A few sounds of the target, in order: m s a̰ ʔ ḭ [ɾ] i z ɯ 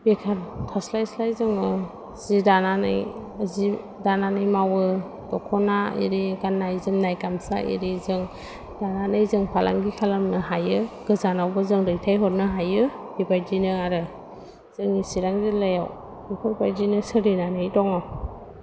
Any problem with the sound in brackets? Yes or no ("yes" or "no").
no